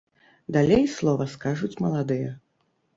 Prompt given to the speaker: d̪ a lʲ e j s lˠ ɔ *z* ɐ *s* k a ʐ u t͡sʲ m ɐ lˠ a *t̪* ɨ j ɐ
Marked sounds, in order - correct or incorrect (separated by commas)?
incorrect, correct, incorrect